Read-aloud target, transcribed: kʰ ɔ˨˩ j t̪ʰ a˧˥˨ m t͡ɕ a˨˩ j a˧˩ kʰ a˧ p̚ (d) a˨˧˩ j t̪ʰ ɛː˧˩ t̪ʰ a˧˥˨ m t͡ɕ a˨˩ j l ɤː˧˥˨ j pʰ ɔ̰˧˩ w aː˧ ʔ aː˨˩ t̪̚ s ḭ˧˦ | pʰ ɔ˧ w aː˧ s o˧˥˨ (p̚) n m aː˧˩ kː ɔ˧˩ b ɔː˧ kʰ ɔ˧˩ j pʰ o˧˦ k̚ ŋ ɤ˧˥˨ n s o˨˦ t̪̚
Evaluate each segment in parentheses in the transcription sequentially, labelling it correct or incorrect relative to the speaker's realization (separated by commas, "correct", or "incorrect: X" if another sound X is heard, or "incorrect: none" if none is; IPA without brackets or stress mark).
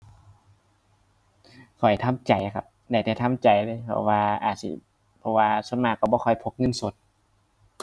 correct, incorrect: none